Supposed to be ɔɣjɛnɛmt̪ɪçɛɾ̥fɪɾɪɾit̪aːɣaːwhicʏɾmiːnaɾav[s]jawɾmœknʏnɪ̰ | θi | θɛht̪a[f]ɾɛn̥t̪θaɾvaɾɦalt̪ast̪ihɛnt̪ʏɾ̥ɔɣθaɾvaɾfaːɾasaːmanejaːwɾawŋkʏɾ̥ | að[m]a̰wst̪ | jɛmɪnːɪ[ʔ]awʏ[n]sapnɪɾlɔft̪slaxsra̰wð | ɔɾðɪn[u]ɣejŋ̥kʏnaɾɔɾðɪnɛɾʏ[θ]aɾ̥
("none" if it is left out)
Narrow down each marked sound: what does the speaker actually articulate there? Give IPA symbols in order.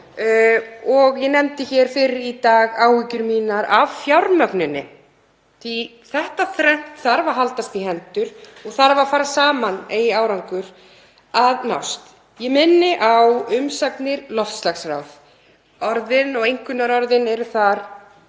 f, θ, n, ʔ, m, ɔ, θ

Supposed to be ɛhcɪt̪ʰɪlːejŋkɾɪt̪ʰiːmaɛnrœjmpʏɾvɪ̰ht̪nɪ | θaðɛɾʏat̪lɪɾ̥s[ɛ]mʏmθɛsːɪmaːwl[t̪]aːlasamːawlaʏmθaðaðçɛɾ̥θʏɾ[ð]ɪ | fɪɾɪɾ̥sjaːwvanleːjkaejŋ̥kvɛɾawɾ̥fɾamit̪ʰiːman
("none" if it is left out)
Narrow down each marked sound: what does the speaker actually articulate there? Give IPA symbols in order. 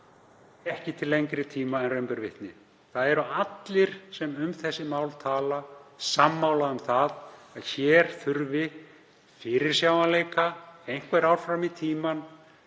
ɛ, t̪ʰ, v

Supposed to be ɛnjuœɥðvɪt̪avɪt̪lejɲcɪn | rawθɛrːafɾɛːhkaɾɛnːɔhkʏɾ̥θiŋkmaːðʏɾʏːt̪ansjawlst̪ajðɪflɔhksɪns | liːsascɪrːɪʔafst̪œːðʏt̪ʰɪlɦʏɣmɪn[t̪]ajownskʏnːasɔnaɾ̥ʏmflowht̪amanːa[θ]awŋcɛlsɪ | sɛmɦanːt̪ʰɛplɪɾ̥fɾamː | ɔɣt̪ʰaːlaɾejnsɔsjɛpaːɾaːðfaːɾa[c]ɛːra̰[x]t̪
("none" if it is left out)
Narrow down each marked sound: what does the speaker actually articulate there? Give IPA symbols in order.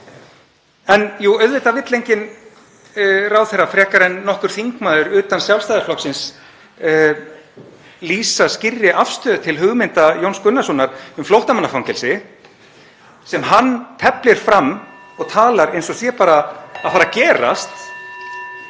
t̪, f, c, s

